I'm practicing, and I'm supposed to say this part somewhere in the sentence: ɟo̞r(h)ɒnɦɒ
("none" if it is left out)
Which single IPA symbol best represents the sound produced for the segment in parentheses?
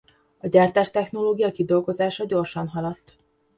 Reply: ʃ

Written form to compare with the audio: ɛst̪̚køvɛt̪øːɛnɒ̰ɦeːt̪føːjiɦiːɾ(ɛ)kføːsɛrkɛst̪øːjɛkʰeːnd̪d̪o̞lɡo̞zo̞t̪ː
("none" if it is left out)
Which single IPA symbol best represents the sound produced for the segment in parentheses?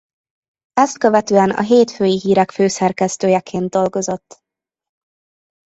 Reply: ɛ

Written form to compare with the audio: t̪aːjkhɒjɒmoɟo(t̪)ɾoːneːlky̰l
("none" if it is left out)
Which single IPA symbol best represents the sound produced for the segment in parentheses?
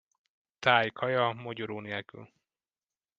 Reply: none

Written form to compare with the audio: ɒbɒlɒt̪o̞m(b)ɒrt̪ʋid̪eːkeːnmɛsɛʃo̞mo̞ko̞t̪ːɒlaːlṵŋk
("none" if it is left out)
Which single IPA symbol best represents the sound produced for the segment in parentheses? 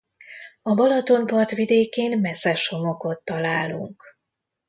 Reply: p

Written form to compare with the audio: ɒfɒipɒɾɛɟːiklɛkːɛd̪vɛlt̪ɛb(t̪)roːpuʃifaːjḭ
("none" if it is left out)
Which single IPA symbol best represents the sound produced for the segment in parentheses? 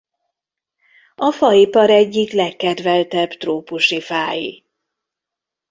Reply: t̪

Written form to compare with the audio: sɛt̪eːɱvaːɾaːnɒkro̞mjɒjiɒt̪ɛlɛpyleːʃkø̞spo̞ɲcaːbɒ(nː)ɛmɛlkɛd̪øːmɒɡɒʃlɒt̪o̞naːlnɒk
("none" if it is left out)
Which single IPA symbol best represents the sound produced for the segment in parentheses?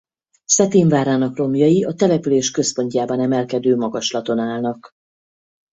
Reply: n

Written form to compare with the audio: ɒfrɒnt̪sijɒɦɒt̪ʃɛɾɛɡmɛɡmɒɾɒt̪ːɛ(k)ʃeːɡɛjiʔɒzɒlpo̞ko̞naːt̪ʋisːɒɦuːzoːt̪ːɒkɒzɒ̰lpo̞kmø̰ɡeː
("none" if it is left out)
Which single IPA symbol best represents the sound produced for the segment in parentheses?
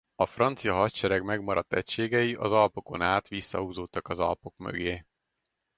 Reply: c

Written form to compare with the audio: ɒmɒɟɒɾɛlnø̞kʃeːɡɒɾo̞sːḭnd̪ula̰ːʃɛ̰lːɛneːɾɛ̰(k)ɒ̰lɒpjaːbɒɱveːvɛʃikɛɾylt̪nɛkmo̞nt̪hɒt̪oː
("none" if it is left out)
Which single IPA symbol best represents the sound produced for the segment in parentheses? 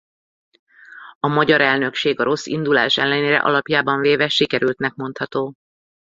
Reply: ʔ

